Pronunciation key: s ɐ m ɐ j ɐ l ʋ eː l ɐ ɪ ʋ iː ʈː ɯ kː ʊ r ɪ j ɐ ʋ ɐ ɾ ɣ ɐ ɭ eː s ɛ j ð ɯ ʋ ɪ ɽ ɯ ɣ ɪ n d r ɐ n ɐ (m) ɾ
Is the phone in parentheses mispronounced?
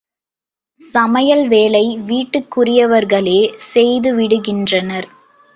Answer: yes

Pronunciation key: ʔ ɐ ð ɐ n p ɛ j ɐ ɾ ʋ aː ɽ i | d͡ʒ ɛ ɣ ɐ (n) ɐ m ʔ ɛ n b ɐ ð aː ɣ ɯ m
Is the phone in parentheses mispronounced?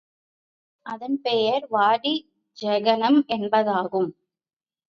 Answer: no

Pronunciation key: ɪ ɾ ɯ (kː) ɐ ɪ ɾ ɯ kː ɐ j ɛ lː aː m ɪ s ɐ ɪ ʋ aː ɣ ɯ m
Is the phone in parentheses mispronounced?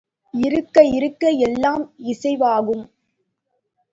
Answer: no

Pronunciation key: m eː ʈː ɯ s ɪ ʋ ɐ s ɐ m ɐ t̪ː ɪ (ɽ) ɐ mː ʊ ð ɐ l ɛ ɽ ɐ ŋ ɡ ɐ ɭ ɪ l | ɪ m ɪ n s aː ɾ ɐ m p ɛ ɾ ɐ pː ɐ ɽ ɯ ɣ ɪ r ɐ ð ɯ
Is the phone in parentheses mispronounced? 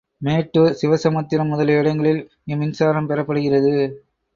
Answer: yes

